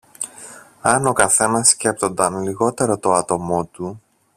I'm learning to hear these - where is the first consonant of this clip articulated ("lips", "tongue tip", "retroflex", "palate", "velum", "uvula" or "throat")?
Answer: tongue tip